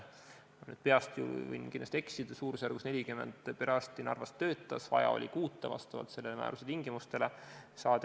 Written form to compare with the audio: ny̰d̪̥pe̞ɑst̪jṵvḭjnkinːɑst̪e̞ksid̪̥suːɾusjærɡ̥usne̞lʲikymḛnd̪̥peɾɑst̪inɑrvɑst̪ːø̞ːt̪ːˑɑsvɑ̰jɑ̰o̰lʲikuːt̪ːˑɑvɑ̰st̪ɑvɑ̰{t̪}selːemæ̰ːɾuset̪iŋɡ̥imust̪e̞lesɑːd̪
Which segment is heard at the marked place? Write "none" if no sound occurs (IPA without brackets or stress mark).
t̪